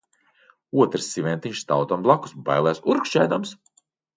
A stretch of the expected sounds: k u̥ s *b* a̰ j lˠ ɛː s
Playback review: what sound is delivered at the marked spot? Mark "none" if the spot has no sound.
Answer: b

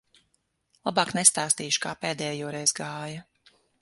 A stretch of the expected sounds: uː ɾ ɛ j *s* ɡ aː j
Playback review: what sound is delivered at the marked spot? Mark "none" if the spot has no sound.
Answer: z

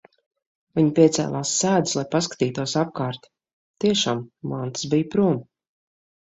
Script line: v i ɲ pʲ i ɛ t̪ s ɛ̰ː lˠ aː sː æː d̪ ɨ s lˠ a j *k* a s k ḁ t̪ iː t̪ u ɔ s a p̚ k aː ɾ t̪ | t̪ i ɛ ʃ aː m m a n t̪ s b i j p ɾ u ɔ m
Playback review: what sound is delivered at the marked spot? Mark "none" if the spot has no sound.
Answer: p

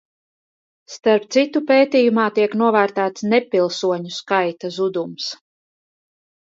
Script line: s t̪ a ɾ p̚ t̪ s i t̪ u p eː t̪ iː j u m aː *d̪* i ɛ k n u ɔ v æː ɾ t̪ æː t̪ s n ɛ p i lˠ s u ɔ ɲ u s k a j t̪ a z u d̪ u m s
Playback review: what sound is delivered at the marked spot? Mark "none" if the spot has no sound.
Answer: t̪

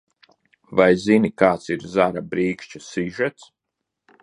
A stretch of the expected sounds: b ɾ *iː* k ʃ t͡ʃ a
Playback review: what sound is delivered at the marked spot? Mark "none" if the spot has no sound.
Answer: iː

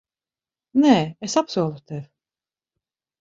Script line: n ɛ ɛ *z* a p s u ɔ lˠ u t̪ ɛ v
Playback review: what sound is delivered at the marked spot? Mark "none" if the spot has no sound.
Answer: s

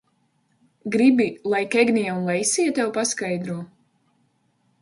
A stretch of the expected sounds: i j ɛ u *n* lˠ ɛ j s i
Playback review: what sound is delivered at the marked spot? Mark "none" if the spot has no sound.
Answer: n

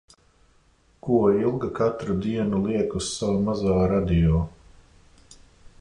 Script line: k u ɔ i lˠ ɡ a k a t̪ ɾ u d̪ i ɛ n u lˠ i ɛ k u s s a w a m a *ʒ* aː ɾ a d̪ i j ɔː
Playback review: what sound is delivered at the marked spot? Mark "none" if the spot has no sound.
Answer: z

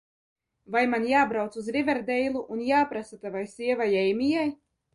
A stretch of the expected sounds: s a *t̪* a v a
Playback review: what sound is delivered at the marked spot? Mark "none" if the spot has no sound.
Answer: t̪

